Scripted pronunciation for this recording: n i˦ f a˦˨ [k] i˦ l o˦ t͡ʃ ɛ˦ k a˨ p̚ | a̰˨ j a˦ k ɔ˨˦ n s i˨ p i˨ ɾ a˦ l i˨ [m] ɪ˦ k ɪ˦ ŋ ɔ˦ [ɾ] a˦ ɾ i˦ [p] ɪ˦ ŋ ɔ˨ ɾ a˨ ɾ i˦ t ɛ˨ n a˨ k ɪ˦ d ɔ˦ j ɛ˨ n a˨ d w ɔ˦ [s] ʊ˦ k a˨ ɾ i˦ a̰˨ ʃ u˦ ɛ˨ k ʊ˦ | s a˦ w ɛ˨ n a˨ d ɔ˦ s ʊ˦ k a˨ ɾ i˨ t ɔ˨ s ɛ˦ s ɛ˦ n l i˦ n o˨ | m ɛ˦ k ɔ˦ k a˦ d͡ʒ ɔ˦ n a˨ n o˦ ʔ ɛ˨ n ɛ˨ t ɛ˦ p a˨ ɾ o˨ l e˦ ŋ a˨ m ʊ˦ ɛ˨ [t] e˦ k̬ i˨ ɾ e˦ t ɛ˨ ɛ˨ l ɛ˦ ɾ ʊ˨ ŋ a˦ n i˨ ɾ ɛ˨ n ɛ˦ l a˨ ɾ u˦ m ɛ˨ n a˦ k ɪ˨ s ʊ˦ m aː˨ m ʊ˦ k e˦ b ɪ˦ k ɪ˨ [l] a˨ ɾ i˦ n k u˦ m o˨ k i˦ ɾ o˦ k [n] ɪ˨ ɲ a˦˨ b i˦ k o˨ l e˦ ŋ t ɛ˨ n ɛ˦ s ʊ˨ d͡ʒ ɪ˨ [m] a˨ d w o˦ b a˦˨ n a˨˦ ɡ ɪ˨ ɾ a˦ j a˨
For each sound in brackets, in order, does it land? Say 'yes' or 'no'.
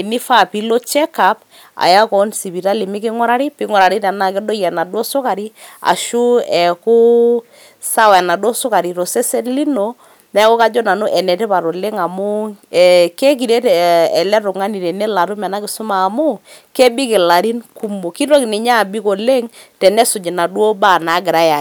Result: no, yes, yes, yes, yes, no, yes, yes, no

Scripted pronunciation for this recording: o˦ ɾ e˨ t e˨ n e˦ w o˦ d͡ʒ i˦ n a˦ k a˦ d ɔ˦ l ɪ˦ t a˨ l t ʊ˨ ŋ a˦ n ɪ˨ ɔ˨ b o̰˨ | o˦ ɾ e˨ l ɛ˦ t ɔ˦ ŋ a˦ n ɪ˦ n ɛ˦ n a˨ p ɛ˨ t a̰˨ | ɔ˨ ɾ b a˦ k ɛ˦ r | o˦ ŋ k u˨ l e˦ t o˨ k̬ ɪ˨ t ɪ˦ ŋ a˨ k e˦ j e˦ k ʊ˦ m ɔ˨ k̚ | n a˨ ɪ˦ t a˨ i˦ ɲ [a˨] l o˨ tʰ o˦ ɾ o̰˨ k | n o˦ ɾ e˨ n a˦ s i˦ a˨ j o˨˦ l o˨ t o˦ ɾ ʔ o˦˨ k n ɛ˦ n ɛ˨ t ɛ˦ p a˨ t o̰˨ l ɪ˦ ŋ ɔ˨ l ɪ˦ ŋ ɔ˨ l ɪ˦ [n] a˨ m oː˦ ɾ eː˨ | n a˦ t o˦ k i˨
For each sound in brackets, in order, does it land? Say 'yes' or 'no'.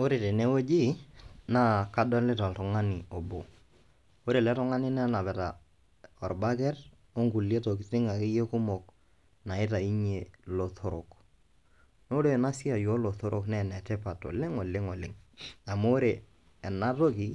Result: no, no

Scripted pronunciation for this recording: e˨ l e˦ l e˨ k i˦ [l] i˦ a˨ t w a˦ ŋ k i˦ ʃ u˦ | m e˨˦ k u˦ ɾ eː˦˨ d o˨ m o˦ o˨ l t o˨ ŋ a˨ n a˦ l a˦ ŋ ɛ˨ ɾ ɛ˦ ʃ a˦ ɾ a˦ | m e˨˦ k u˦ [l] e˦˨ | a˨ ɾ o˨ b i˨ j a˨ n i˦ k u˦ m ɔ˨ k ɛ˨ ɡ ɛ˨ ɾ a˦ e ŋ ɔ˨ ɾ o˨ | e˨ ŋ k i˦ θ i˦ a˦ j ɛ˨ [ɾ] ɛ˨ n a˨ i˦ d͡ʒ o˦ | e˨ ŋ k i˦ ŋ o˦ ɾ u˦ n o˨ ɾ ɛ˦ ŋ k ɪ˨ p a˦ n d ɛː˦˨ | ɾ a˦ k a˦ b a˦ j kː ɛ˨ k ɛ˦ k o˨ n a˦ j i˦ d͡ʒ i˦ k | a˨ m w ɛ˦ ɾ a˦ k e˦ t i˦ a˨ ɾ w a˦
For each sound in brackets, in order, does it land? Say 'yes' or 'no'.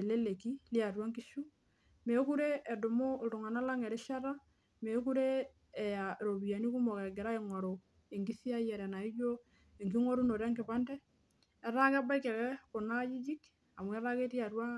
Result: yes, no, yes

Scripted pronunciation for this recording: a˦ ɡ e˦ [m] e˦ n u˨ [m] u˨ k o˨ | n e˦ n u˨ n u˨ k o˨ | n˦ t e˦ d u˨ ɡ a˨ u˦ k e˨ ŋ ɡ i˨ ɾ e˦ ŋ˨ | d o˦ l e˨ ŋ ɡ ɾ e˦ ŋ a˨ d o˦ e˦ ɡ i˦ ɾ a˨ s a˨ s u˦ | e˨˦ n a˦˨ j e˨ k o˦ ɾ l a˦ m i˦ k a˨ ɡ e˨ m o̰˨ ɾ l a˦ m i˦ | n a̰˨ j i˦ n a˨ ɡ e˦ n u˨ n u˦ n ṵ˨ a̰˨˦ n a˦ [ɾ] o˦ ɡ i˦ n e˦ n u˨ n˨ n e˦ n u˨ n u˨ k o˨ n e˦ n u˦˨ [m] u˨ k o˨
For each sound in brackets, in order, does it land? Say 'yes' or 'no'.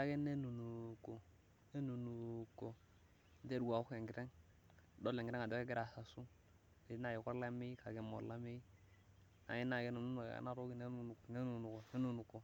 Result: no, no, yes, no

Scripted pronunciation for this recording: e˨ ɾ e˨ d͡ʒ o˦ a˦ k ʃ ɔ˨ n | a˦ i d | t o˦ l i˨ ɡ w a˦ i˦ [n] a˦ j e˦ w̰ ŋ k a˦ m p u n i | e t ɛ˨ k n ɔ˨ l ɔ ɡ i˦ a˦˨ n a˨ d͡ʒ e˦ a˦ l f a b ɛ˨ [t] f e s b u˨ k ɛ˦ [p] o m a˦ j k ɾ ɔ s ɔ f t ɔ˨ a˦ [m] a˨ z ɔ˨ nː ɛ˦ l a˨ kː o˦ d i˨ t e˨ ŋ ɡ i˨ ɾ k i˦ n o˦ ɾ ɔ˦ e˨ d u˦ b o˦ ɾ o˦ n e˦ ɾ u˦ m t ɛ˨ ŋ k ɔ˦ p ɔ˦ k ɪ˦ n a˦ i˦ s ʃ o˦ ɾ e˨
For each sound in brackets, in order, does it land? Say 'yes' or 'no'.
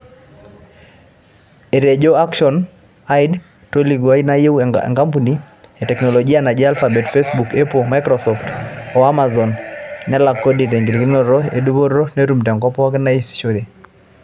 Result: yes, yes, yes, yes

